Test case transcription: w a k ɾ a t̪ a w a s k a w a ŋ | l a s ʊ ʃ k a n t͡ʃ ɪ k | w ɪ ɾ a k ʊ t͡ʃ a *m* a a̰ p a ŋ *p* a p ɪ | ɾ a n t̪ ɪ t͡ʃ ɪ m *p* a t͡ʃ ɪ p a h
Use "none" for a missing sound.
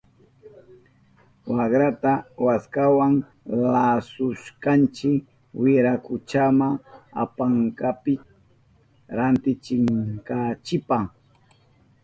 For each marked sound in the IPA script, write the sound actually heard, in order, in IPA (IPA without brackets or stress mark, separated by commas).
m, k, k